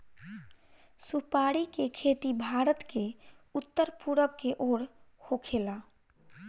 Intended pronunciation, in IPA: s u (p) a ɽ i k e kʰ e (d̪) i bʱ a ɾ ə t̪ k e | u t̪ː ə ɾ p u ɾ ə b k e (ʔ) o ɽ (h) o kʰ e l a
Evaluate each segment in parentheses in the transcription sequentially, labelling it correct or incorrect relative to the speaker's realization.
correct, incorrect, correct, correct

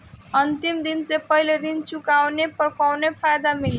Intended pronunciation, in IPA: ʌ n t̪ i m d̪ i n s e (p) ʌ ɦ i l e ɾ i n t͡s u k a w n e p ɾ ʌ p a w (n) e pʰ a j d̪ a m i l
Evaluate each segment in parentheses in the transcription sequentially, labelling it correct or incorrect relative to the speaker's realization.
correct, correct

